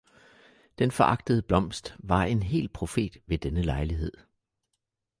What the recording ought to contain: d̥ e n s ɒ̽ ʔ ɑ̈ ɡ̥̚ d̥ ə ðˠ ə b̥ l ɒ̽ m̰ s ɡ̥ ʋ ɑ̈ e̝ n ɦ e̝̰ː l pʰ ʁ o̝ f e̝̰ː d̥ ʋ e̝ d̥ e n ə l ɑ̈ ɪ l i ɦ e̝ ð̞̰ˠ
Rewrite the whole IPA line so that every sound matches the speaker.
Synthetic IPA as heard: d̥ e n f ɒ̽ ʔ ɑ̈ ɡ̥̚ d̥ ə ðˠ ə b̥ l ɒ̽ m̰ s d̥ ʋ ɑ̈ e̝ n ɦ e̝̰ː l pʰ ʁ o̝ f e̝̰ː d̥ ʋ e̝ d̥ e n ə l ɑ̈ ɪ l i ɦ e̝ ð̞̰ˠ